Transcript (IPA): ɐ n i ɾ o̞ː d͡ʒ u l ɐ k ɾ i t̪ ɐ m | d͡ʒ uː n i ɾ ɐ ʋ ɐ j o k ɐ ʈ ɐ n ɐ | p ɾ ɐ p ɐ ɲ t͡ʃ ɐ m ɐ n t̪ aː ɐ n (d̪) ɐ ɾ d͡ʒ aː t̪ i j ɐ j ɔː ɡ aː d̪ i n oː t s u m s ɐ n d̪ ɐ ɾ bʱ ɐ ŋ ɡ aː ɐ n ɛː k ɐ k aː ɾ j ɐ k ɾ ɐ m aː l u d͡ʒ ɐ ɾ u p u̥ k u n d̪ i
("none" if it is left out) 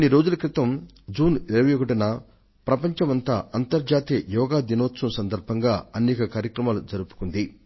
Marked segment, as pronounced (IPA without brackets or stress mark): t̪